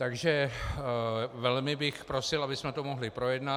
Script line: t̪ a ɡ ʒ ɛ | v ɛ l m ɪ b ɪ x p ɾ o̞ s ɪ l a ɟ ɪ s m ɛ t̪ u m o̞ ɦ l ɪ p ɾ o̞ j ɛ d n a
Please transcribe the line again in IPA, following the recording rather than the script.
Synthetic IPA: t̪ a ɡ ʒ ɛ | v ɛ l m ɪ b ɪ x p ɾ o̞ s ɪ l a b ɪ s m ɛ t̪ o m o̞ ɦ l ɪ p ɾ o̞ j ɛ d n a